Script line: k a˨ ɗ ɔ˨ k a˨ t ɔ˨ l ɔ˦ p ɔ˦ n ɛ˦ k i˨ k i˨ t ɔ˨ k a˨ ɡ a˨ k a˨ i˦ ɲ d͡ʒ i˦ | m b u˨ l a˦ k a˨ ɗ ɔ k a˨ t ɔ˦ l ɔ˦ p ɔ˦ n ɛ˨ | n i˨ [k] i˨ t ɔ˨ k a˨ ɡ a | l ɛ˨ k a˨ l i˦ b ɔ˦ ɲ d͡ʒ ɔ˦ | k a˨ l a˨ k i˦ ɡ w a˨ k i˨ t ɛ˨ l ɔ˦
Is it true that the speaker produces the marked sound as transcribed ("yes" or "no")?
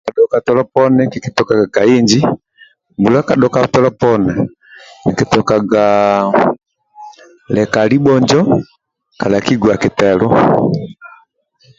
yes